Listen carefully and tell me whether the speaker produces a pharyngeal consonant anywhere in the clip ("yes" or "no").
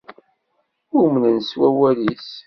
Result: no